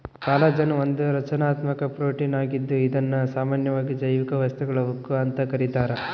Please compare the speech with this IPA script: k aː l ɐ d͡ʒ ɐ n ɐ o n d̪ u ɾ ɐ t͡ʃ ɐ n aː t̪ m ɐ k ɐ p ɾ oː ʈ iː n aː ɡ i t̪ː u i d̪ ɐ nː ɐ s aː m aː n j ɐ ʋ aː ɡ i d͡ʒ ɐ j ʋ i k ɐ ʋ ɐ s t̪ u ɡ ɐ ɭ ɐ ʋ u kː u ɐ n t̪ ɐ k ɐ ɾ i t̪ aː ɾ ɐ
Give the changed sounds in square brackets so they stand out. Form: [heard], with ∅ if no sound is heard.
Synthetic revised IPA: k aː l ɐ d͡ʒ ɐ n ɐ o n d̪ u ɾ ɐ t͡ʃ ɐ n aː t̪ m ɐ k ɐ p ɾ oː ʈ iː n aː ɡ i [d̪ː] u i d̪ ɐ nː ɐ s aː m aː n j ɐ ʋ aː ɡ i d͡ʒ ɐ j ʋ i k ɐ ʋ ɐ s t̪ u ɡ ɐ ɭ ɐ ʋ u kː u ɐ n t̪ ɐ k ɐ ɾ i t̪ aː ɾ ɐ